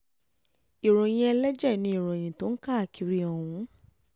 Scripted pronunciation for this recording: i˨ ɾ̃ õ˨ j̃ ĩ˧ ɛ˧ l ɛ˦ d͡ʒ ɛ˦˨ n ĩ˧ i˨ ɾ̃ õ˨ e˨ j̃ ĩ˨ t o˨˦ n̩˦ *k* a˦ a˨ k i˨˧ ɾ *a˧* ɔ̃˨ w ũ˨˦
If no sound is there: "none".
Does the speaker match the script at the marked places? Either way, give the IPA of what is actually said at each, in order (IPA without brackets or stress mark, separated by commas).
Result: k, i˧